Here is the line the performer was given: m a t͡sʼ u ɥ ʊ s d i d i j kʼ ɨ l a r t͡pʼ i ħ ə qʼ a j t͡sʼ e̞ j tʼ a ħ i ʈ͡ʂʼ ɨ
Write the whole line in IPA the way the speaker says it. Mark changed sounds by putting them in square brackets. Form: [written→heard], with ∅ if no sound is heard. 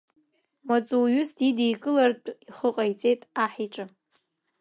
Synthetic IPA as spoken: m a t͡sʼ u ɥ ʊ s d i d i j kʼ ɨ l a r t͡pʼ i [ħ→χ] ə qʼ a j t͡sʼ e̞ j tʼ a ħ i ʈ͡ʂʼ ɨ